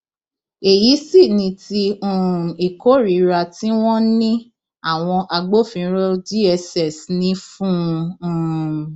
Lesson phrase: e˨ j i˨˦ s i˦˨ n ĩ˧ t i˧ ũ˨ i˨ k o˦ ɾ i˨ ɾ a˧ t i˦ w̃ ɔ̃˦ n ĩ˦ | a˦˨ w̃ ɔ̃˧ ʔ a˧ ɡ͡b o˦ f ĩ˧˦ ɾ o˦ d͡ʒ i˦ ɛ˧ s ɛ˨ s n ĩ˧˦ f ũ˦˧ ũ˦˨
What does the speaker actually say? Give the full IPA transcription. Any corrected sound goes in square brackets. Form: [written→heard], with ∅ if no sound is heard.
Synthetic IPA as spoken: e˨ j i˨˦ s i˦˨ n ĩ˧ t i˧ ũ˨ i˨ k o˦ ɾ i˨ ɾ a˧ t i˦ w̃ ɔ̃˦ n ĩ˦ | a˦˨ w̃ ɔ̃˧ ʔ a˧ ɡ͡b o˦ f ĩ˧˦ ɾ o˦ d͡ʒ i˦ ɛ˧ s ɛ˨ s n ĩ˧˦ f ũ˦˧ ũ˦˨